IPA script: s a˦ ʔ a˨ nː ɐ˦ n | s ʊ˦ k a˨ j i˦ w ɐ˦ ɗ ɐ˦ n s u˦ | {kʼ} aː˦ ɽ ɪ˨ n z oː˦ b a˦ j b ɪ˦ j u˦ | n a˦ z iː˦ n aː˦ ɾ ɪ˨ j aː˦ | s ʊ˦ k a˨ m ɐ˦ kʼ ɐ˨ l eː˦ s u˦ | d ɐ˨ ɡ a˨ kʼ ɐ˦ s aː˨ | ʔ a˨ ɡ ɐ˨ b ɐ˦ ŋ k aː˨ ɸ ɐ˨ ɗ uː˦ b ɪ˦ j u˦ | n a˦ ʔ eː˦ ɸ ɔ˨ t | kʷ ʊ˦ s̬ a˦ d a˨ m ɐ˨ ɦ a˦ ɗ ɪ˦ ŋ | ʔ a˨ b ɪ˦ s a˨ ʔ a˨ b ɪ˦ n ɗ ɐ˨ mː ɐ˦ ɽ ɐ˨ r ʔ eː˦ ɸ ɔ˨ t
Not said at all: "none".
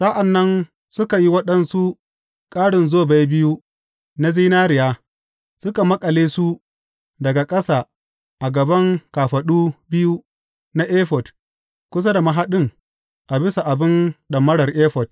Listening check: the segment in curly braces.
kʼ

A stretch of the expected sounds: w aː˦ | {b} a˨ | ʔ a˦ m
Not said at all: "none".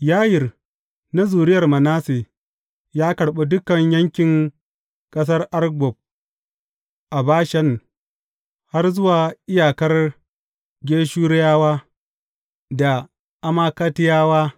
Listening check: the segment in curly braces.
d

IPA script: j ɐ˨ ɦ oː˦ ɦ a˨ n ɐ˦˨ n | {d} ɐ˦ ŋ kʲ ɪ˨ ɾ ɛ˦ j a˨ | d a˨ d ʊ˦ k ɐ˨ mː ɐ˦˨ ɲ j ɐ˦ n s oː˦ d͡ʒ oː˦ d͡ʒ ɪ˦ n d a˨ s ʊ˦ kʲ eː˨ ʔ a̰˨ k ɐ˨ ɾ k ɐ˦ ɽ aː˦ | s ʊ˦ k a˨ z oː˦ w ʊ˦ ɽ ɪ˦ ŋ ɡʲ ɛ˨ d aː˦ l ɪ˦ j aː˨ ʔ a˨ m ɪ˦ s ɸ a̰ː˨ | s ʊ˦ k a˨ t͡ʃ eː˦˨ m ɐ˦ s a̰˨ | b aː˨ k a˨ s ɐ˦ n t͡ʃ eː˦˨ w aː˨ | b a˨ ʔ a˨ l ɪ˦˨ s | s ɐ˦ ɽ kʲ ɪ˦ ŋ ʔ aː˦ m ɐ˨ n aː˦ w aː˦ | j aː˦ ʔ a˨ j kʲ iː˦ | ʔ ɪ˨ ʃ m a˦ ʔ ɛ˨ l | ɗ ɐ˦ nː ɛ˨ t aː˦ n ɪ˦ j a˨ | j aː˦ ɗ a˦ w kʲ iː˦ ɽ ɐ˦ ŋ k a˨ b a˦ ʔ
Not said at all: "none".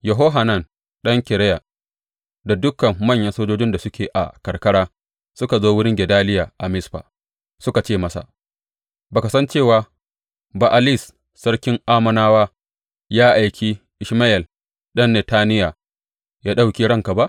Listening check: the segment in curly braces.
ɗ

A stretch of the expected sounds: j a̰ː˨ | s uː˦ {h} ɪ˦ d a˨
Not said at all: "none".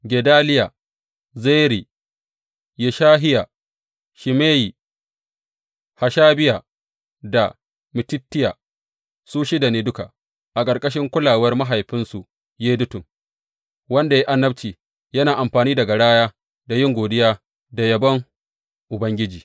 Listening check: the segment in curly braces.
ʃ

